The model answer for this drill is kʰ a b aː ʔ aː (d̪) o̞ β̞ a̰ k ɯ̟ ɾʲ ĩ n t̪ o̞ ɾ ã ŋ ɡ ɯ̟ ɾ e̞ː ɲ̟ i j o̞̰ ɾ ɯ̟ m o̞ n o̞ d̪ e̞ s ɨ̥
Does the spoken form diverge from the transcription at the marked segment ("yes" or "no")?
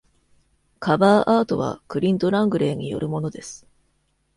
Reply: yes